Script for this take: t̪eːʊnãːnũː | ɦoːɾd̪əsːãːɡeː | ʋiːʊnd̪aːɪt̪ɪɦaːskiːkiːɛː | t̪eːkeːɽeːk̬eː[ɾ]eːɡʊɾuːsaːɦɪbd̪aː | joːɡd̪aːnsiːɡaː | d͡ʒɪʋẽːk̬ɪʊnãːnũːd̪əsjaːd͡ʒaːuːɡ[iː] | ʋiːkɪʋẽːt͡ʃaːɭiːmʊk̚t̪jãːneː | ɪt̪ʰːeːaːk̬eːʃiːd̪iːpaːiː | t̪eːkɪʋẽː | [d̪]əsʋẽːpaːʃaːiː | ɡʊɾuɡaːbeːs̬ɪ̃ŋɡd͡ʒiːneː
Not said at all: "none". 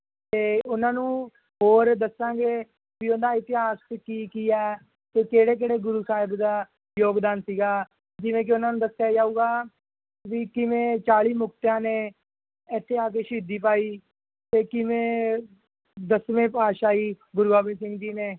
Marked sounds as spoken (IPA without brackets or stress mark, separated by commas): ɽ, aː, d̪